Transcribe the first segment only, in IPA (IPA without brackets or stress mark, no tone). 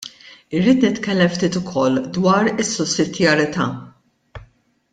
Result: ɪ